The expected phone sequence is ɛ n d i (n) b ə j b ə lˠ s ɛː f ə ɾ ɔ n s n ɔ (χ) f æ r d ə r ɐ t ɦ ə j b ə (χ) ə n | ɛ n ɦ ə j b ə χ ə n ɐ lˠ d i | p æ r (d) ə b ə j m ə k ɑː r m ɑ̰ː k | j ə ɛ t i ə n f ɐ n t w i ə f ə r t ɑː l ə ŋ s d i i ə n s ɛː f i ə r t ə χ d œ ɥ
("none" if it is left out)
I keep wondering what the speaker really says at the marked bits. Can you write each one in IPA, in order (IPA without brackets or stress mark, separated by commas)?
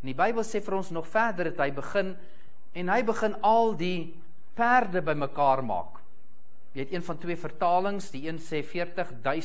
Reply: none, χ, χ, d